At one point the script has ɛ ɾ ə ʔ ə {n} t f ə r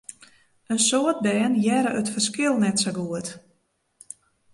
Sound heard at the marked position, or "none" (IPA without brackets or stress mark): none